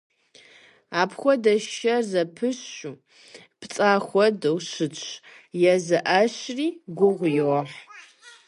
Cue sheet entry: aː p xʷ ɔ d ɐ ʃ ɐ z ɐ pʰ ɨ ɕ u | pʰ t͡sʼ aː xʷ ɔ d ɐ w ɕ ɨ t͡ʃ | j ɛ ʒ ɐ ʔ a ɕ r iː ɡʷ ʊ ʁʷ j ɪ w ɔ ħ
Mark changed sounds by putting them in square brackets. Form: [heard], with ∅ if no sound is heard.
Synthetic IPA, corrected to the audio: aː p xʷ ɔ d ɐ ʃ ɐ z ɐ pʰ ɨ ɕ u | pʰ t͡sʼ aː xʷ ɔ d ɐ w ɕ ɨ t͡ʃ | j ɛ [z] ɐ ʔ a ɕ r iː ɡʷ ʊ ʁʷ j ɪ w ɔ ħ

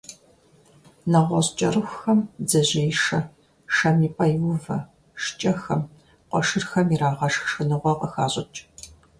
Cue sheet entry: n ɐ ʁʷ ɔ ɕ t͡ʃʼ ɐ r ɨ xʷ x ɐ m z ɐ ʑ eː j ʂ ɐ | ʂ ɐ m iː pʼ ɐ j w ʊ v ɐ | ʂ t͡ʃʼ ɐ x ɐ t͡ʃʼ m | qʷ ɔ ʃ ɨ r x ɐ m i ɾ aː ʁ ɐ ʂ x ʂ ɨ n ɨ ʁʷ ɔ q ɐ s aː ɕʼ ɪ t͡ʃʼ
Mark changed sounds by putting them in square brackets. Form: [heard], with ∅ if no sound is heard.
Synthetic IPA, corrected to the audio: n ɐ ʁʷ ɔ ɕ t͡ʃʼ ɐ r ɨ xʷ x ɐ m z ɐ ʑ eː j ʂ ɐ | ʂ ɐ m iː pʼ ɐ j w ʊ v ɐ | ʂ t͡ʃʼ ɐ x ɐ [∅] m | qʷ ɔ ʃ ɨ r x ɐ m i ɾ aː ʁ ɐ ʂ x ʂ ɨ n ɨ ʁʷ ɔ q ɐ [x] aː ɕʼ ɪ t͡ʃʼ

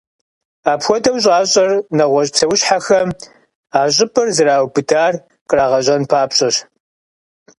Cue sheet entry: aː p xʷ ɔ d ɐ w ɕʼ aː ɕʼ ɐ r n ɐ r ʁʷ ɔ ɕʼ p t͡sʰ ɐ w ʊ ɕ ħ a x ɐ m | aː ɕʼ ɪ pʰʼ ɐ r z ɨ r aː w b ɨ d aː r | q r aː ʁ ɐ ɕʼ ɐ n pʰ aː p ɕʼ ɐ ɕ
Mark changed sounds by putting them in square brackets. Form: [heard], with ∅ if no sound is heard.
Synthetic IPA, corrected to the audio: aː p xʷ ɔ d ɐ w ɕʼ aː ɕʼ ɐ r n ɐ [∅] ʁʷ ɔ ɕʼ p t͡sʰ ɐ w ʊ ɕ ħ a x ɐ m | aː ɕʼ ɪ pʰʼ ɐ r z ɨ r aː w b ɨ d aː r | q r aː ʁ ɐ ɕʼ ɐ n pʰ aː p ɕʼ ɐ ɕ

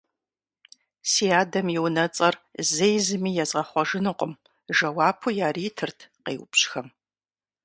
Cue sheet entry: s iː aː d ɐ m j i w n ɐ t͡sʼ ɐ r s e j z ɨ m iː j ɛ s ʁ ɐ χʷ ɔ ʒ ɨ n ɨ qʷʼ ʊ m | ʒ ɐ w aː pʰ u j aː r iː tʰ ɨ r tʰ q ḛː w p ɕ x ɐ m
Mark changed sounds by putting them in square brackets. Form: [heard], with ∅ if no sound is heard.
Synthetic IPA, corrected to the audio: s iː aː d ɐ m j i w n ɐ t͡sʼ ɐ r [z] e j z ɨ m iː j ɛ [z] ʁ ɐ χʷ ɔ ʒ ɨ n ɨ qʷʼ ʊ m | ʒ ɐ w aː pʰ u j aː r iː tʰ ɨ r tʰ q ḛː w p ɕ x ɐ m

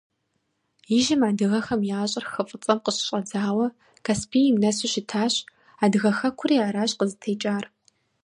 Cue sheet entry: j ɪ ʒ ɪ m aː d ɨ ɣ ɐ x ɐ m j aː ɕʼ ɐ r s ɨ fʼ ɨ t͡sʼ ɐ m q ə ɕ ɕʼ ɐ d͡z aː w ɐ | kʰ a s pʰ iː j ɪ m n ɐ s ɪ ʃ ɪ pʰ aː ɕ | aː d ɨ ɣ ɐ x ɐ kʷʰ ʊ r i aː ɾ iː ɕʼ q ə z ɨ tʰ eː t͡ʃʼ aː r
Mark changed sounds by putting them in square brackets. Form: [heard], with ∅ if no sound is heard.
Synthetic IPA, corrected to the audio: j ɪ ʒ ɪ m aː d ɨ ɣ ɐ x ɐ m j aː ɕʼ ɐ r [x] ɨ fʼ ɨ t͡sʼ ɐ m q ə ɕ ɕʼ ɐ d͡z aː w ɐ | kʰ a s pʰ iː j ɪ m n ɐ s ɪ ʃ ɪ [tʰ] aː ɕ | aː d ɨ ɣ ɐ x ɐ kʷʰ ʊ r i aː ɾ [aː] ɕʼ q ə z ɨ tʰ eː t͡ʃʼ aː r

